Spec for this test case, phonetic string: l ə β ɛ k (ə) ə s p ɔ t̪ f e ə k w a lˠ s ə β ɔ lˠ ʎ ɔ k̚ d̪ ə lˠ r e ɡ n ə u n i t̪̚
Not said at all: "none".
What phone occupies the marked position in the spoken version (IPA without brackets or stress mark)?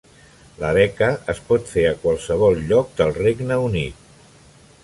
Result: ə